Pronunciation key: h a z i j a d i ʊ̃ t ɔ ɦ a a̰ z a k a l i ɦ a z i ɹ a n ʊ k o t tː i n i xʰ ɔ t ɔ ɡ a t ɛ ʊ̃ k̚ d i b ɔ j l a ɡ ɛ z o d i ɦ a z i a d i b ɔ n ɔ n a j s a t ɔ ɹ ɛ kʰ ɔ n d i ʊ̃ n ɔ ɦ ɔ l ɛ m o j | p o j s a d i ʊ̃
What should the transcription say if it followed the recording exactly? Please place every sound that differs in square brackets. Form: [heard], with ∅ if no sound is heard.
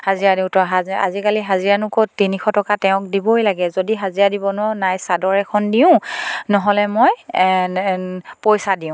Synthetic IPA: h a z i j a d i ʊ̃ t ɔ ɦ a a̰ z [i] k a l i ɦ a z i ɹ a n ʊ k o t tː i n i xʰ ɔ t ɔ [k] a t ɛ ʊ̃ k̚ d i b ɔ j l a ɡ ɛ z o d i ɦ a z i a d i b ɔ n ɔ n a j s a [d] ɔ ɹ ɛ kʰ ɔ n d i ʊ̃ n ɔ ɦ ɔ l ɛ m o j | p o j s a d i ʊ̃